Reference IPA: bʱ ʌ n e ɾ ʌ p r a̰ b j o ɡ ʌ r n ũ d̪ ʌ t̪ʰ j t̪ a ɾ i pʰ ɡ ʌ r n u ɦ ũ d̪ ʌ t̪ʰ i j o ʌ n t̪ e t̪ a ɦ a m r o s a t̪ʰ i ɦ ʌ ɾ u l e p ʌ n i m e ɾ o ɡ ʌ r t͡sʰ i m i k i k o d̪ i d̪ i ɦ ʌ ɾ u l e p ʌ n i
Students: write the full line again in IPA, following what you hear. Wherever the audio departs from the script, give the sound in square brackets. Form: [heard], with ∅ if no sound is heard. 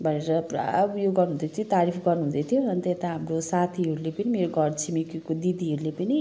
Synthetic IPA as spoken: bʱ ʌ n e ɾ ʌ p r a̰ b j o ɡ ʌ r n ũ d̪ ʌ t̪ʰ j t̪ a ɾ i pʰ ɡ ʌ r n u ɦ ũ d̪ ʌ t̪ʰ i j o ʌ n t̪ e t̪ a ɦ a m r o s a t̪ʰ i ɦ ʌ ɾ u l e p ʌ n i m e ɾ o ɡ ʌ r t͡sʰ i m i k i k o d̪ i d̪ i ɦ ʌ ɾ u l e p ʌ n i